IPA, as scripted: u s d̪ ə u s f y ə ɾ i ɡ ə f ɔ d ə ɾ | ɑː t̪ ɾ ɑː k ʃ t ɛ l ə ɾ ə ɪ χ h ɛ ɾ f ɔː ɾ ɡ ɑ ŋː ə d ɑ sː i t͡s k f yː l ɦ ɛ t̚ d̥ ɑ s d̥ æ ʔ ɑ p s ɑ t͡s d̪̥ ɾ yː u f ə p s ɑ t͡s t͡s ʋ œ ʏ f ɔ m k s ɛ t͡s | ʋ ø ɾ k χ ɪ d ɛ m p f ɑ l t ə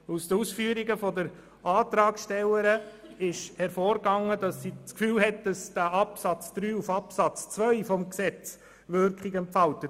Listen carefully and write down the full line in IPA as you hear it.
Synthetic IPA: u s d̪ ə u s f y ə ɾ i ɡ ə f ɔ d ə ɾ | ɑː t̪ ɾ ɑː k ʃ t ɛ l ə ɾ ə ɪ ʃ h ɛ ɾ f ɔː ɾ ɡ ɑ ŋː ə d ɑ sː i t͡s k f yː l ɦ ɛ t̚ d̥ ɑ s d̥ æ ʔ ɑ p s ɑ t͡s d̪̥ ɾ yː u f ɑ p s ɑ t͡s t͡s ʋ œ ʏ f ɔ m k s ɛ t͡s | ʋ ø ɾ k χ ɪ ɡ ɛ m p f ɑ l t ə